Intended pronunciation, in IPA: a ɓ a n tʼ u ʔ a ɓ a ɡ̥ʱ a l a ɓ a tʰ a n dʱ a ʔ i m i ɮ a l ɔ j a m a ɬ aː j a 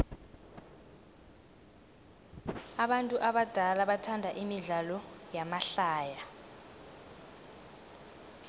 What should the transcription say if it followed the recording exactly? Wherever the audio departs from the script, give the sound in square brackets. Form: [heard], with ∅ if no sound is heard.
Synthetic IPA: a ɓ a n tʼ u ʔ a ɓ a [d̥ʱ] a l a ɓ a tʰ a n dʱ a ʔ i m i ɮ a l ɔ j a m a ɬ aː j a